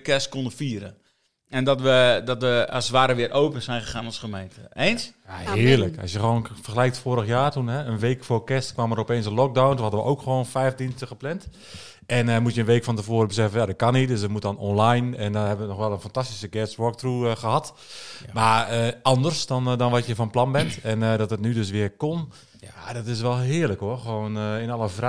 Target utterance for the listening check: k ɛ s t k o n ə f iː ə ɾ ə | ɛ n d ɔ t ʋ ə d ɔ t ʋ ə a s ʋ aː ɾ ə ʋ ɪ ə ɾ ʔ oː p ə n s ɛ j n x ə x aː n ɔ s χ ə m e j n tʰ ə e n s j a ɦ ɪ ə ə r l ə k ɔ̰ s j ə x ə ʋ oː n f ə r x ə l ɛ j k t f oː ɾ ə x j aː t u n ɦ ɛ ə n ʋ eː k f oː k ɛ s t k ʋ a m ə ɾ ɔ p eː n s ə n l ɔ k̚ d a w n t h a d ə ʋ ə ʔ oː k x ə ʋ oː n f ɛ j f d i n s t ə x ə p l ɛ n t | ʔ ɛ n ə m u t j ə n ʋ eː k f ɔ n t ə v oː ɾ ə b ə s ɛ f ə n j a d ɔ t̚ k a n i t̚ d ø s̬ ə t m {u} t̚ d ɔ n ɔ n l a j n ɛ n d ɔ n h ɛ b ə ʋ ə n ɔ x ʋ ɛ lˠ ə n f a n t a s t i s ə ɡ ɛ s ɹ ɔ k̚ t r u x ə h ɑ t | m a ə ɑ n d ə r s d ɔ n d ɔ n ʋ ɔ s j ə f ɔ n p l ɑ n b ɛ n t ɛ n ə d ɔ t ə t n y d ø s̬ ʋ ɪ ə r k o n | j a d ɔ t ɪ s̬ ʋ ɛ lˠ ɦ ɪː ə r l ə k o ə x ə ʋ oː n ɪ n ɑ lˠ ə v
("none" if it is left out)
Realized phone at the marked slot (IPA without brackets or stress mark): u